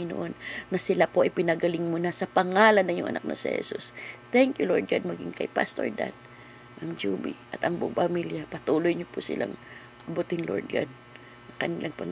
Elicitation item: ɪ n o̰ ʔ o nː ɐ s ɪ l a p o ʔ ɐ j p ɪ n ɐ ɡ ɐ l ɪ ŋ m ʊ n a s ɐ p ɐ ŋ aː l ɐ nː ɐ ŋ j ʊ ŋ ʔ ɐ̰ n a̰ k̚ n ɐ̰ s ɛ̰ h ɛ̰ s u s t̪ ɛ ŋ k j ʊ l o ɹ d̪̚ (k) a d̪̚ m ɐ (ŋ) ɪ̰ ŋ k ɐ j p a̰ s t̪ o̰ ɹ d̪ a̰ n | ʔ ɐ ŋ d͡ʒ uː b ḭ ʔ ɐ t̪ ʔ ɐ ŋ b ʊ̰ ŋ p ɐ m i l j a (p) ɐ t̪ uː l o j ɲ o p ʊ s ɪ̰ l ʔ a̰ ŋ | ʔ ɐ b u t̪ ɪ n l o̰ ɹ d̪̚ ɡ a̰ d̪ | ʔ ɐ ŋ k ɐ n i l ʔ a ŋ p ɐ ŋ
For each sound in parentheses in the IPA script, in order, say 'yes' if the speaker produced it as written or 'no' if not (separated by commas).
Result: no, no, yes